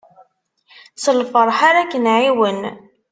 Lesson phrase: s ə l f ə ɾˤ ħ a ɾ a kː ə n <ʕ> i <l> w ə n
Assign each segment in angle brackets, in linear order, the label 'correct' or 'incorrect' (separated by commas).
correct, incorrect